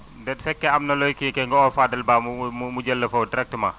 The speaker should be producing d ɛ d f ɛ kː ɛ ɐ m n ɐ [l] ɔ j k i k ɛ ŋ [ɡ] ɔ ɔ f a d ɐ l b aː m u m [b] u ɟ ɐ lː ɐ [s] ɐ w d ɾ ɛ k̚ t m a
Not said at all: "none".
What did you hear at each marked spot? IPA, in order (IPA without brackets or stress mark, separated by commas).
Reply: l, ɡ, m, f